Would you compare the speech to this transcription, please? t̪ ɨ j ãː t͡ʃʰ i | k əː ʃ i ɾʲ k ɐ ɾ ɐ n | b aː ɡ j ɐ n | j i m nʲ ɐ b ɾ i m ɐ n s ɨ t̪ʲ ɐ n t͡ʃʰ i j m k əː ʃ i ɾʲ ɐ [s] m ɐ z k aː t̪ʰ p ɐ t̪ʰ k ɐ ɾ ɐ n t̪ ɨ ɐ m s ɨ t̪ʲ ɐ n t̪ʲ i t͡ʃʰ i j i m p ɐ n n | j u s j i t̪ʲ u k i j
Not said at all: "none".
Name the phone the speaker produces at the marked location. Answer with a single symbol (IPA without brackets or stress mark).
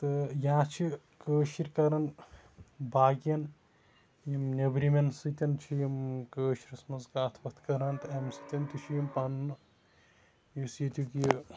s